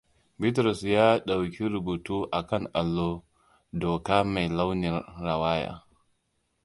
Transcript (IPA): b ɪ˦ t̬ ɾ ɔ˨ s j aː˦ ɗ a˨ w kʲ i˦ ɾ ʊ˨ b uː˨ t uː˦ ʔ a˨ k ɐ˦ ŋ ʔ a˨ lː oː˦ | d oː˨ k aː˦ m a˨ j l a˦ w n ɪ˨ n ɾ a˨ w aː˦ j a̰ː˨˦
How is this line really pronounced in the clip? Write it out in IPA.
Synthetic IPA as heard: b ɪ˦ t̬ ɾ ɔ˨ s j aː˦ ɗ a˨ w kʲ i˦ ɾ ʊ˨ b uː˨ t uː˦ ʔ a˨ k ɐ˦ ŋ ʔ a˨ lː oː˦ | d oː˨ k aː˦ m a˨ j l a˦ w n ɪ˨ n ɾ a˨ w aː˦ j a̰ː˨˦